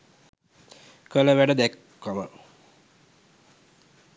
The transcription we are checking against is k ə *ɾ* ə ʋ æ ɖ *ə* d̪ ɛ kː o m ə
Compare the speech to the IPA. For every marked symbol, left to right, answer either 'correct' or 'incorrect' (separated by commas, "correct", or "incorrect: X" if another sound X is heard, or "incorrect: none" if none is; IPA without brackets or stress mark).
incorrect: l, correct